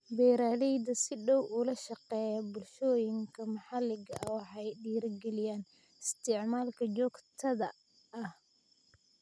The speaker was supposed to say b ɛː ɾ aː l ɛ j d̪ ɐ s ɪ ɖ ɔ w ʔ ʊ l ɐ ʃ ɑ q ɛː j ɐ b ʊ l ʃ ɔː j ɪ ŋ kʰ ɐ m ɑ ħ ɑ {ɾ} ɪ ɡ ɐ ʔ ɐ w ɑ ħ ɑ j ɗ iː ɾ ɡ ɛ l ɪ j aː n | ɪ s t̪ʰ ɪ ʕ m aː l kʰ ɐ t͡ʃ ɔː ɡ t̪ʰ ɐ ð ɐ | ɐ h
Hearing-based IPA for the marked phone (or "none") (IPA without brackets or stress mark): l